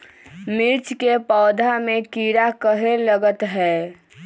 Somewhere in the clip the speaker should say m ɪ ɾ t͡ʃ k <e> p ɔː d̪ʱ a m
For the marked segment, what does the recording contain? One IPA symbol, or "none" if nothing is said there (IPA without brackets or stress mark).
e